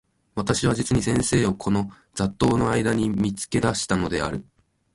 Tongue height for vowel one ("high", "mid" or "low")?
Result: low